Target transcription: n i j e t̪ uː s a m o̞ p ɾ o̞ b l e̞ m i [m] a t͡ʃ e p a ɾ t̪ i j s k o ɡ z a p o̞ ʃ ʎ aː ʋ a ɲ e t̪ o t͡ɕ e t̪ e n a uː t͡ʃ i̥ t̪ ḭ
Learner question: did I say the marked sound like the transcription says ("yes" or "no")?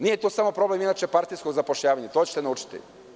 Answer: no